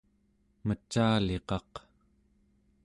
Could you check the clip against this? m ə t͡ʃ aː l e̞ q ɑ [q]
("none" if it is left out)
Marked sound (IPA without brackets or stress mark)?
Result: q